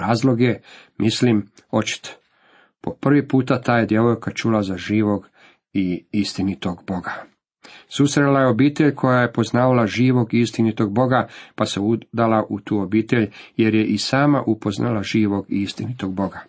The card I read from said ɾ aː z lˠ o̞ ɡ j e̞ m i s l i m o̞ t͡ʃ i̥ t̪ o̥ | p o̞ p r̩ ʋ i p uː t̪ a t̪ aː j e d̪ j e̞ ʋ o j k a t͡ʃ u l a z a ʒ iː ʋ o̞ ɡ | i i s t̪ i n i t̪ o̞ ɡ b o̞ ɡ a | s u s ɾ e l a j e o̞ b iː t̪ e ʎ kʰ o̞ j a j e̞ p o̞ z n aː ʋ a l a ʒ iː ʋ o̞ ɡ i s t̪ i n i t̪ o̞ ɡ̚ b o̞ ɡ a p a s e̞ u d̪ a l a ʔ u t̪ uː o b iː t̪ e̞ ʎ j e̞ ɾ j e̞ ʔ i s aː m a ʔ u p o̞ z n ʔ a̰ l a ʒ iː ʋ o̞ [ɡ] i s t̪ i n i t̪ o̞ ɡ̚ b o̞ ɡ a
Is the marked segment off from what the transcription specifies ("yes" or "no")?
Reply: no